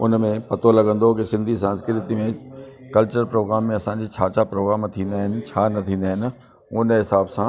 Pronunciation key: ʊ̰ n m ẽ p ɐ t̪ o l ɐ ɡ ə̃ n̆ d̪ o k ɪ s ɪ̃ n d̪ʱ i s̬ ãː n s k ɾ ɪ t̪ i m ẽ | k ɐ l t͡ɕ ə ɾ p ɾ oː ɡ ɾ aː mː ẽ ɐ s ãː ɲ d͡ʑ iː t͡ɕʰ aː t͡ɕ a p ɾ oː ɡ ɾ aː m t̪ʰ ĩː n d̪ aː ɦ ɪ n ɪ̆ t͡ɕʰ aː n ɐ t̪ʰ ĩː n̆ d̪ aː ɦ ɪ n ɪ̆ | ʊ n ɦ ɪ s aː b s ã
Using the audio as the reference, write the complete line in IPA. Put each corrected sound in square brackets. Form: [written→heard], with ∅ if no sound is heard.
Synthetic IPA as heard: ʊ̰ n m ẽ p ɐ t̪ o l ɐ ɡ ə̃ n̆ d̪ o k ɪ s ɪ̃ n d̪ʱ i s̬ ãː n s k ɾ ɪ t̪ i m ẽ | k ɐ l t͡ɕ ə ɾ p ɾ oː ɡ ɾ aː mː ẽ ɐ s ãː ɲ d͡ʑ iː t͡ɕʰ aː t͡ɕ a p ɾ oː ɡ ɾ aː m t̪ʰ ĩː n d̪ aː ɦ ɪ n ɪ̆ t͡ɕʰ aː n ɐ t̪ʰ ĩː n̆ d̪ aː ɦ ɪ n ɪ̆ | ʊ n ɦ ɪ s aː b s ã